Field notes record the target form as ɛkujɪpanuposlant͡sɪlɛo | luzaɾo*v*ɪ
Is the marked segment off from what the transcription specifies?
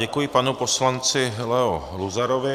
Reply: no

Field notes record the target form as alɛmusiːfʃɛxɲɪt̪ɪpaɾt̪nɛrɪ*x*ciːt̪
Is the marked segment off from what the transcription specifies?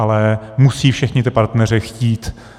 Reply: no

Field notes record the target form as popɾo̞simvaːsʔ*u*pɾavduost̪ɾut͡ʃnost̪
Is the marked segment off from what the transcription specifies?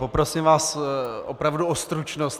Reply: yes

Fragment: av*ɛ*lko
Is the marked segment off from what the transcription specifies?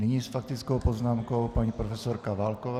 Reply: yes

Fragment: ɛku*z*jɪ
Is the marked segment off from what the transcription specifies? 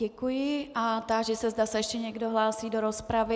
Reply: yes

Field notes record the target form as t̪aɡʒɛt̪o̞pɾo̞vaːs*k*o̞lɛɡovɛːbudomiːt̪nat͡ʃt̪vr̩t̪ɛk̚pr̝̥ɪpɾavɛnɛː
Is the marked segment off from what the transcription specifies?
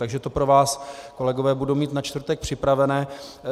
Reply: no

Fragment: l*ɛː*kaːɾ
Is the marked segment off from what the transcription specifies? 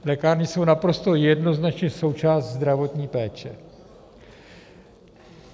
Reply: yes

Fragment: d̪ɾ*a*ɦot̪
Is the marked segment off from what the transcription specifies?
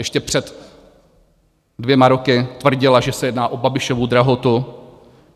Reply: no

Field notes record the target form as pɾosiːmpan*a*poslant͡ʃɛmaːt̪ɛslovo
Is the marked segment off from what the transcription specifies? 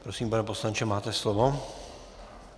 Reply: yes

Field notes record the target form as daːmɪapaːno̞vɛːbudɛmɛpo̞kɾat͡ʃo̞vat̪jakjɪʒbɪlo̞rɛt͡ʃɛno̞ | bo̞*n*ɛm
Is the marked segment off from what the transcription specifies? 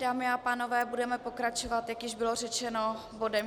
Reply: yes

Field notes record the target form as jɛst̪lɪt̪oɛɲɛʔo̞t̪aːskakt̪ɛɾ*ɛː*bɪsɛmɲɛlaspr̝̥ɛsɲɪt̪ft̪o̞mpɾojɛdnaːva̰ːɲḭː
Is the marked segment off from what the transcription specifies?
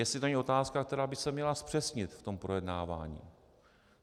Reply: yes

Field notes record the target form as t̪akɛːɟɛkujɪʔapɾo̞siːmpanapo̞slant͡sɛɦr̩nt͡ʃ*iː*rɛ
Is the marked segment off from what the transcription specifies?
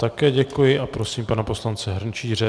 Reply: no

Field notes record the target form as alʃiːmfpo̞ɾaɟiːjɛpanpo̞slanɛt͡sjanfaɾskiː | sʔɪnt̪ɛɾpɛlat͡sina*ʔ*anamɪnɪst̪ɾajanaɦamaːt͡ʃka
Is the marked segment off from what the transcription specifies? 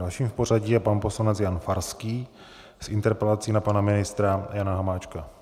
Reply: yes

